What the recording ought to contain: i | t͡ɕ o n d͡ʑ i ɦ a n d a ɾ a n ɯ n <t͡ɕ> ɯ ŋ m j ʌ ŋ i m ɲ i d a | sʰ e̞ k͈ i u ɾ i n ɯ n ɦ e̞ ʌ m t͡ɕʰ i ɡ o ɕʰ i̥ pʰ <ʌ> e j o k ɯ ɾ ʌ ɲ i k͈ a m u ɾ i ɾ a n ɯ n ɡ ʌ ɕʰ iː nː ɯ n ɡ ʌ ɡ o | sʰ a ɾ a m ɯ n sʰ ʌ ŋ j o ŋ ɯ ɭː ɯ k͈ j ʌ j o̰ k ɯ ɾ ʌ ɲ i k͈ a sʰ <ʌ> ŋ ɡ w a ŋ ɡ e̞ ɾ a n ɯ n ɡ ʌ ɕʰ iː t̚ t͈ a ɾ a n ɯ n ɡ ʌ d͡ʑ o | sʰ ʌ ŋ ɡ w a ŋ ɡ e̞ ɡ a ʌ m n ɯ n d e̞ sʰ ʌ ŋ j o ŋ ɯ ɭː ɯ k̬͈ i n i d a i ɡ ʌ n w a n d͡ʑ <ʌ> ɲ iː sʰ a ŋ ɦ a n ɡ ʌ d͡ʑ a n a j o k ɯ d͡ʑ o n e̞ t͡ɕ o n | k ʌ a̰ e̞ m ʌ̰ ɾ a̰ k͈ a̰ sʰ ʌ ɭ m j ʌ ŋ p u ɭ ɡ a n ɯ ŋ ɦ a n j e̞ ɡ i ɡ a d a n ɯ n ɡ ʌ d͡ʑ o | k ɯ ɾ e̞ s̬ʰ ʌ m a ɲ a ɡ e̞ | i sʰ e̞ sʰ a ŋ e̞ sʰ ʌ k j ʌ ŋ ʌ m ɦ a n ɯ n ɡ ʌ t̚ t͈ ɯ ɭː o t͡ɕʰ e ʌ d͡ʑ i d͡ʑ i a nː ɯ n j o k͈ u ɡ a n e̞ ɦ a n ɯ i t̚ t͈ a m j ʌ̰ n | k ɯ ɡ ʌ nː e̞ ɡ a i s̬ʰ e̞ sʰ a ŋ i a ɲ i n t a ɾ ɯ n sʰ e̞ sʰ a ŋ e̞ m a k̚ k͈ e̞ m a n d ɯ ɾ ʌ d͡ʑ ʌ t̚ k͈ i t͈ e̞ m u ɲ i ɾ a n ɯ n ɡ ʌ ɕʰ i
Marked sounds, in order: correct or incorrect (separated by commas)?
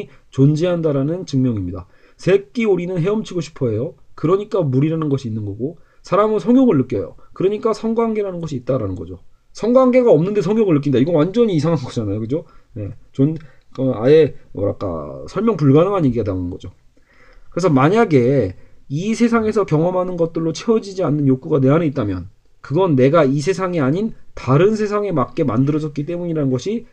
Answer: correct, correct, correct, correct